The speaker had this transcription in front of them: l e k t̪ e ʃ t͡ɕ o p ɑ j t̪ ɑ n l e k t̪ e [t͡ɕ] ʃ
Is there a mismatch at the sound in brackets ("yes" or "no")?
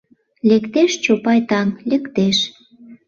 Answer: yes